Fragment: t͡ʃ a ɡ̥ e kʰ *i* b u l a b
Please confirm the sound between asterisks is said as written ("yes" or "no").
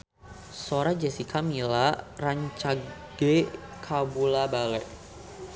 no